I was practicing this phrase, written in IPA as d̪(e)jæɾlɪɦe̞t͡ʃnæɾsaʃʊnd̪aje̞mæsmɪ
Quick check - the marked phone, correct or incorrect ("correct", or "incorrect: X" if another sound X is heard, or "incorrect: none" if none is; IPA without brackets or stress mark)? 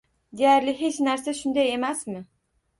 correct